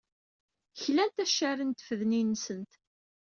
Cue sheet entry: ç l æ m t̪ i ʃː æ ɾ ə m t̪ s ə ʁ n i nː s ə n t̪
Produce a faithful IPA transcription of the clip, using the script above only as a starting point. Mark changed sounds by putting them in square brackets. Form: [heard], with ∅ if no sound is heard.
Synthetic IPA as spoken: ç l æ [n] t̪ [æ] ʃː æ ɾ ə [n] t̪ [f] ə [ð] n i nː s ə n t̪